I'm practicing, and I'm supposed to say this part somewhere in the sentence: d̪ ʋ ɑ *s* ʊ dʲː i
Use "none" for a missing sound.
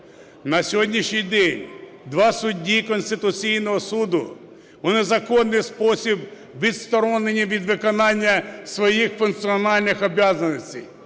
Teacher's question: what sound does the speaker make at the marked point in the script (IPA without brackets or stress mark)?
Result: s